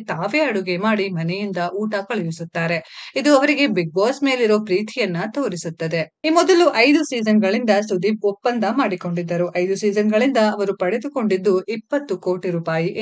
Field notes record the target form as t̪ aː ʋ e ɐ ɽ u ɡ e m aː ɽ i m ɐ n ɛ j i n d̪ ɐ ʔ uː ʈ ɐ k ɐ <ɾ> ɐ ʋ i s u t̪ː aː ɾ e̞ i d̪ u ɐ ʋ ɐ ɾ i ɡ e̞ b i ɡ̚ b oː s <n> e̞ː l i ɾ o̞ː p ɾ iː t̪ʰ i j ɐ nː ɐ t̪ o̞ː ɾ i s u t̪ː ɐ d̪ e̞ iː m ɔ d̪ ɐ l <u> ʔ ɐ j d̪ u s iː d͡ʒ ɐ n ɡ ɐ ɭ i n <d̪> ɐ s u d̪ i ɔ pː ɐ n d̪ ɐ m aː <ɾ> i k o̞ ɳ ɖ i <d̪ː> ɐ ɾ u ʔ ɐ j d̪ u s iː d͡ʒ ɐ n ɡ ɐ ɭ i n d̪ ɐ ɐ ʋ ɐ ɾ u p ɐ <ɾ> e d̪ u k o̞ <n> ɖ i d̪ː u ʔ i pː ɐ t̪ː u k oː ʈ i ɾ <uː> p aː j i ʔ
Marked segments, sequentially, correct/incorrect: incorrect, incorrect, correct, correct, incorrect, correct, incorrect, incorrect, correct

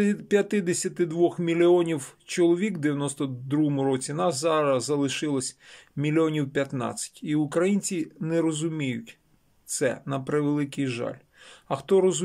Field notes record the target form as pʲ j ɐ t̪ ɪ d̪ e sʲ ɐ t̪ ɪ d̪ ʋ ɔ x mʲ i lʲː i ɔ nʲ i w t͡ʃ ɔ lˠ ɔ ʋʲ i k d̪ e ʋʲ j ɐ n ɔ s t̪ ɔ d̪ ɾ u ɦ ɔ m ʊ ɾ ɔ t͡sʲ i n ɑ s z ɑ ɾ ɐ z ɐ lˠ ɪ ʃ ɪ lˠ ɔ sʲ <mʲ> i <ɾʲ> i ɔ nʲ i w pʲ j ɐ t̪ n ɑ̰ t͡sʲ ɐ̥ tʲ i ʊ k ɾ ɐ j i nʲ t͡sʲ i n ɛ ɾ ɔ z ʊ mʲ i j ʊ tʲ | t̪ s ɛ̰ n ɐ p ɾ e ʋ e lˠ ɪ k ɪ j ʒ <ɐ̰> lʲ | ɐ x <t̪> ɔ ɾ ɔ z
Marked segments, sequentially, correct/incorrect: correct, incorrect, incorrect, correct

